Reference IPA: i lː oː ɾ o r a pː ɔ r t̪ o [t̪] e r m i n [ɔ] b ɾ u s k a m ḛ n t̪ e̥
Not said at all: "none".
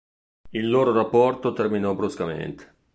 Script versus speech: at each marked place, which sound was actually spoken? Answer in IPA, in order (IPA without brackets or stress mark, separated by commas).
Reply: t̪, ɔ